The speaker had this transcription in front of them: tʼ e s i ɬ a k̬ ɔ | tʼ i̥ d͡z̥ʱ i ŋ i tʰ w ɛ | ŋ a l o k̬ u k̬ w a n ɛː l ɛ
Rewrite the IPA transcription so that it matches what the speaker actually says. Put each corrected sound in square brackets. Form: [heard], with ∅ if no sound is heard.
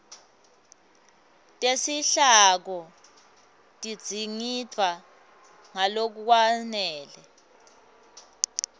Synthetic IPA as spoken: tʼ e s i ɬ a k̬ ɔ | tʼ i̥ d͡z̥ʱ i ŋ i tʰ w [a] | ŋ a l o k̬ u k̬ w a n ɛː l ɛ